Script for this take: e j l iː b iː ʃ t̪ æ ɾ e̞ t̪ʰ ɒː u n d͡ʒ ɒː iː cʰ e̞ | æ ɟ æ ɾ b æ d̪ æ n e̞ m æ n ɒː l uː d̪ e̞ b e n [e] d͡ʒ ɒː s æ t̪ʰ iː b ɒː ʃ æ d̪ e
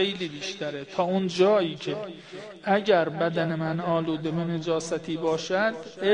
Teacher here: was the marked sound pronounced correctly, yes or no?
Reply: yes